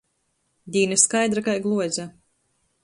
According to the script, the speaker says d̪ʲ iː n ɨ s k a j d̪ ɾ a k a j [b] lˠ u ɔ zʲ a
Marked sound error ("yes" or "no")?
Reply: yes